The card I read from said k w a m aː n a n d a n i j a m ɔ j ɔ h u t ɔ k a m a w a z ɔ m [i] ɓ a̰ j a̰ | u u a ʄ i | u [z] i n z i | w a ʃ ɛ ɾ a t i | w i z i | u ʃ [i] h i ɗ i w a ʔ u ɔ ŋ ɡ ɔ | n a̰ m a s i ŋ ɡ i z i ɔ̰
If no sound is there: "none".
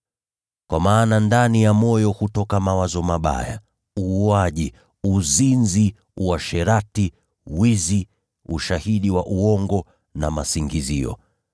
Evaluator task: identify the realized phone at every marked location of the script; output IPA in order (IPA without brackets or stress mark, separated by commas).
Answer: a, z, a